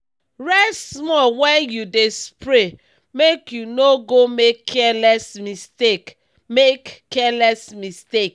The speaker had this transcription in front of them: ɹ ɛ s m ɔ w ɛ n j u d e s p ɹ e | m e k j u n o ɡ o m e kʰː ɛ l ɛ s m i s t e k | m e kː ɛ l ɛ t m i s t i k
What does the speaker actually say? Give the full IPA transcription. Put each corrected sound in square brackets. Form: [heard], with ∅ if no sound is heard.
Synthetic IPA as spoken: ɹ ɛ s m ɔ w ɛ n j u d e s p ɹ e | m e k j u n o ɡ o m e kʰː ɛ l ɛ s m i s t e k | m e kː ɛ l ɛ [s] m i s t [e] k